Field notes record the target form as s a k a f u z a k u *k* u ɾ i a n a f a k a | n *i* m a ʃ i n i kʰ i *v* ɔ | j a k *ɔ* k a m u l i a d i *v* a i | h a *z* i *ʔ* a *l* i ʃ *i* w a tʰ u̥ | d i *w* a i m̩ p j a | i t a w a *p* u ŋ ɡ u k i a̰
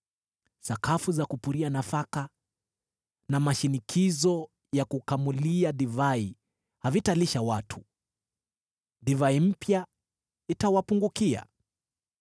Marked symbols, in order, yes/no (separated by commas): no, no, no, no, yes, no, no, yes, no, no, yes